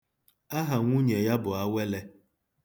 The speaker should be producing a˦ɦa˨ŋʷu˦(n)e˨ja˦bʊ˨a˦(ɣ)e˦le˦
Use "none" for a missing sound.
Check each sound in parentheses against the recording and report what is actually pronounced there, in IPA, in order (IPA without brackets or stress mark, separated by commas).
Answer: ɲ, w